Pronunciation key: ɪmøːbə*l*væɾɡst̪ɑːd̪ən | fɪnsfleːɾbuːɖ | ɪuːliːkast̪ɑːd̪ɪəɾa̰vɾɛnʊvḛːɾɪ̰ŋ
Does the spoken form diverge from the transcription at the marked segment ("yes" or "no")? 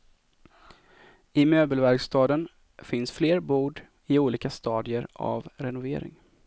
no